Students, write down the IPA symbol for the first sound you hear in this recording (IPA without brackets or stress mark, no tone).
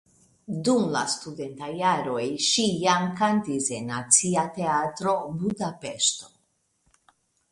d